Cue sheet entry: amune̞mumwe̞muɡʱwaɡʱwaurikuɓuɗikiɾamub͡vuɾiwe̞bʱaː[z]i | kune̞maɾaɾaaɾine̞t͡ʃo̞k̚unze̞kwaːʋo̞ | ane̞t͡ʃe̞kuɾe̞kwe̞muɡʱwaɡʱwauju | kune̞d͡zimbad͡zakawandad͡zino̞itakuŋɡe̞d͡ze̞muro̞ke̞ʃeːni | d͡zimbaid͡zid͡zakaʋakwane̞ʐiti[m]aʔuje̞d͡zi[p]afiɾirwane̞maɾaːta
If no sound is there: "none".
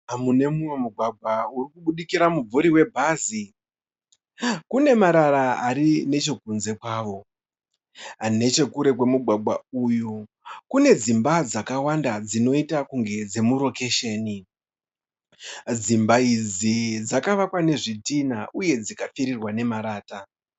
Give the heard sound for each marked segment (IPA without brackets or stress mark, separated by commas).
z, n, k